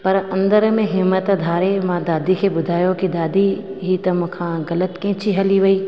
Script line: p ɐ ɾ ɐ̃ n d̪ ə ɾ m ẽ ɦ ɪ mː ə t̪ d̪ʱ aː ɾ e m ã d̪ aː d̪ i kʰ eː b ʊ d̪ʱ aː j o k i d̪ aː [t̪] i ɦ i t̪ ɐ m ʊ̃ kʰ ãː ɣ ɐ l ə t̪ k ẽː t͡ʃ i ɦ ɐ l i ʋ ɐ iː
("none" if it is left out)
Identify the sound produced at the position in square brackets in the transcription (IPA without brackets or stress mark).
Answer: d̪